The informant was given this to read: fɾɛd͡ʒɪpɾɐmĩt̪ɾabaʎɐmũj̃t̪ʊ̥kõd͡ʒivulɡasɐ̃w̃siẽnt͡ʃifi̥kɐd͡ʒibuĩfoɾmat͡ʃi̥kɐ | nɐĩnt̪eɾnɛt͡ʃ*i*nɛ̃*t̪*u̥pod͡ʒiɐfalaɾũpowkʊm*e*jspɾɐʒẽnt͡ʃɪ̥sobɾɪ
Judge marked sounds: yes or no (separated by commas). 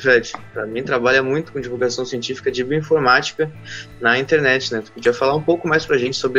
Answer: no, yes, no